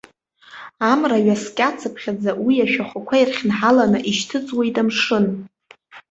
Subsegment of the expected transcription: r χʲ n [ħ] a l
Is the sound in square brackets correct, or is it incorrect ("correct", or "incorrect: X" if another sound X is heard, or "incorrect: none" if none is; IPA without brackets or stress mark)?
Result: correct